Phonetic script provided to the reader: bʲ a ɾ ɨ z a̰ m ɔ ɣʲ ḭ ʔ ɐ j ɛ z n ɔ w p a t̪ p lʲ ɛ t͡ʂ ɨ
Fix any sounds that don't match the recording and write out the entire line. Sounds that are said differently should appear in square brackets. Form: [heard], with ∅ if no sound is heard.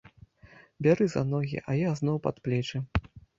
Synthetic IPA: bʲ a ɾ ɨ z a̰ [n] ɔ ɣʲ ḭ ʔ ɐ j [a] z n ɔ w p a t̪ p lʲ ɛ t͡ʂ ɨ